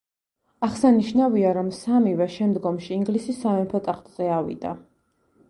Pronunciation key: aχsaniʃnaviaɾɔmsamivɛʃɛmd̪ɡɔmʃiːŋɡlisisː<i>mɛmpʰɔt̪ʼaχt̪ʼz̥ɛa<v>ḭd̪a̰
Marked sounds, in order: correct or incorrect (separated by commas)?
incorrect, correct